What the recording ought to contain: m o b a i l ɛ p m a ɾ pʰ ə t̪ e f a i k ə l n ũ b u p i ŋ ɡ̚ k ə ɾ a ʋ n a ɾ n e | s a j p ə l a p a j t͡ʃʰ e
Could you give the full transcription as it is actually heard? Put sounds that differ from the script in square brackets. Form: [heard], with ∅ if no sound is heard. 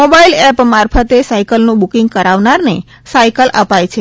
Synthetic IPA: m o b a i l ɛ p m a ɾ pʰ ə t̪ e [s] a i k ə l n ũ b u [k] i ŋ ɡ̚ k ə ɾ a ʋ n a ɾ n e | s a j [k] ə l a p a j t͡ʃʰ e